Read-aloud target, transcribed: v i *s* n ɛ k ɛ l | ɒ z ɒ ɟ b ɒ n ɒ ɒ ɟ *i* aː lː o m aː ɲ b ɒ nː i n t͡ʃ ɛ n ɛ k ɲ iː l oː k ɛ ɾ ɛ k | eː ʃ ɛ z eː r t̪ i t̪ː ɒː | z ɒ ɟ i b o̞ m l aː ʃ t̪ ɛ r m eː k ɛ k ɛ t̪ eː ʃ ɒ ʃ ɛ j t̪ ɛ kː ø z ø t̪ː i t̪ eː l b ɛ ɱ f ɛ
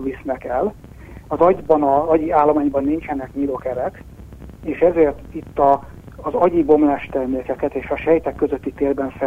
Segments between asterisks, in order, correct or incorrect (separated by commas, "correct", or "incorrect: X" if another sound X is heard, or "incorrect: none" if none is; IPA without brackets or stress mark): correct, correct